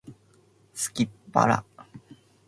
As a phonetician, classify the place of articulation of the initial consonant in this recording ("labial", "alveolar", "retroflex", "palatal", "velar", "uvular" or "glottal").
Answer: alveolar